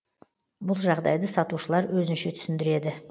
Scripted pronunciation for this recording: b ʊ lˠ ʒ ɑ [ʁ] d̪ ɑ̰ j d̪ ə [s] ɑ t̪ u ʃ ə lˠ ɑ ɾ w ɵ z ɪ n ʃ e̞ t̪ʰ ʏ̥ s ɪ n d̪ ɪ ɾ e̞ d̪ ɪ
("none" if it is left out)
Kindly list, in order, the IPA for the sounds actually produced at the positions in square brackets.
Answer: ʁ, s

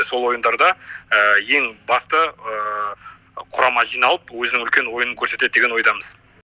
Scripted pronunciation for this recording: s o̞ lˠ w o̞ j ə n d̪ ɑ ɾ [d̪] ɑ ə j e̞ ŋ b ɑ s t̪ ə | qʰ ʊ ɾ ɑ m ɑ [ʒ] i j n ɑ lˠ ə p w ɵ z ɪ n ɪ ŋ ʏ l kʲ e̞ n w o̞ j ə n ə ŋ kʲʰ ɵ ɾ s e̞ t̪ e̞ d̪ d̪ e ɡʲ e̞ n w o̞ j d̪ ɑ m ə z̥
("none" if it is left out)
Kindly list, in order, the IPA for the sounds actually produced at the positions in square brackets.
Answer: d̪, ʒ

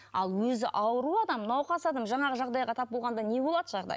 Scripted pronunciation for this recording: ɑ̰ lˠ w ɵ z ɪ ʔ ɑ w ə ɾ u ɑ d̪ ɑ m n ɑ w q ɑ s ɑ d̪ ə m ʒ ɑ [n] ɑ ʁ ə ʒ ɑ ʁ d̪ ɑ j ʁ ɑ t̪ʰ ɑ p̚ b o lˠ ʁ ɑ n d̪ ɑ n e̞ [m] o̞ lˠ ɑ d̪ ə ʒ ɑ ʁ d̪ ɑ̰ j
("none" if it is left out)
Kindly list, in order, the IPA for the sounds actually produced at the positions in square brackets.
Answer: ɴ, b

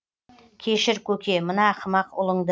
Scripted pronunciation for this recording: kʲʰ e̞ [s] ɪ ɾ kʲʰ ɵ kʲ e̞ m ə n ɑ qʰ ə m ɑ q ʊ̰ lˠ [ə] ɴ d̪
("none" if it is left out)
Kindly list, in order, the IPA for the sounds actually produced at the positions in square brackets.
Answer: ʃ, ə

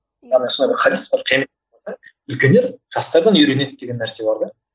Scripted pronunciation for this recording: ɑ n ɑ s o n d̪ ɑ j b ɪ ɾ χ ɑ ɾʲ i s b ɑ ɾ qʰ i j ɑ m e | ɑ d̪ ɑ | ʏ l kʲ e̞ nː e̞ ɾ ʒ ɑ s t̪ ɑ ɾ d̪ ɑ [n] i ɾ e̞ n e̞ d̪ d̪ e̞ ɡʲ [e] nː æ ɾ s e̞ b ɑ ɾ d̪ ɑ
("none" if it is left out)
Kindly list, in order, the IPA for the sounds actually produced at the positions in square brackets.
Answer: n, e

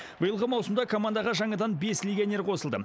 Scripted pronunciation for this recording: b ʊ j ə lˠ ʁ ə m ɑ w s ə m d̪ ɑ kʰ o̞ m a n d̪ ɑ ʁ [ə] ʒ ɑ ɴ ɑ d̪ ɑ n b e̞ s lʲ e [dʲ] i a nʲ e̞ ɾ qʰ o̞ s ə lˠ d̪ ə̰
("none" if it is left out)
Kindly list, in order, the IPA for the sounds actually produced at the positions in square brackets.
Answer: ɑ, ɡʲ

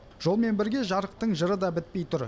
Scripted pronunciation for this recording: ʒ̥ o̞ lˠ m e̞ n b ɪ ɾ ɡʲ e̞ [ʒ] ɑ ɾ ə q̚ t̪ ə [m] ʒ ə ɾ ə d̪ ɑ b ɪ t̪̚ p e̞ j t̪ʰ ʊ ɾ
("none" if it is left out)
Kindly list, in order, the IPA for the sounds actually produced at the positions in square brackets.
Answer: ʒ, ɴ

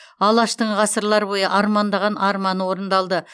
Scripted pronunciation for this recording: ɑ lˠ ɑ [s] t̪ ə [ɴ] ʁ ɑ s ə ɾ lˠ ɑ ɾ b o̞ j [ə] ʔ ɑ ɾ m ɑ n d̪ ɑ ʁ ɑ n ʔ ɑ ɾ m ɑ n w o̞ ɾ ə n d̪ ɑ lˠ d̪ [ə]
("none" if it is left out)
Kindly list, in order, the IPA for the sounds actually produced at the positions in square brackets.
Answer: ʃ, ɴ, ə, ə

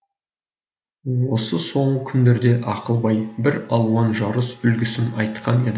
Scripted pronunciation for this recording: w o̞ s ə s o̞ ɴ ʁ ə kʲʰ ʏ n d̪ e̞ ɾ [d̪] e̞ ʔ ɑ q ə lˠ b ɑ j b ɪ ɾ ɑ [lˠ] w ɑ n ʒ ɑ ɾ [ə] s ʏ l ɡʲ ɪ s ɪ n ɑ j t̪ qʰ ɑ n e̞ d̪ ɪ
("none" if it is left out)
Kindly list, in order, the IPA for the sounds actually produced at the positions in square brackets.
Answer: d̪, lˠ, ə

